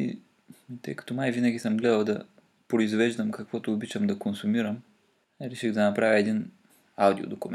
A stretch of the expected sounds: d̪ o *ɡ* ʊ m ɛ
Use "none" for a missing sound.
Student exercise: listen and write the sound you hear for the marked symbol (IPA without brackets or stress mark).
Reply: k